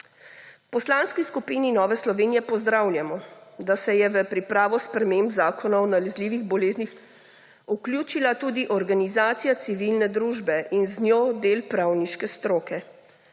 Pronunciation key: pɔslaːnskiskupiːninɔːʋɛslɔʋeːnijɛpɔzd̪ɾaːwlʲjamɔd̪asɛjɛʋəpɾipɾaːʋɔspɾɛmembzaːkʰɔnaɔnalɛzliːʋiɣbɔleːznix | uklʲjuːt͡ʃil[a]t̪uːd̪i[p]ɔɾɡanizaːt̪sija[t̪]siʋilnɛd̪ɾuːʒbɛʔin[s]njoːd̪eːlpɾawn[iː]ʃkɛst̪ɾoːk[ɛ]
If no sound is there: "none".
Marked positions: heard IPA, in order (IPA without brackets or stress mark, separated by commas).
a, ʔ, t̪, z, i, ɛ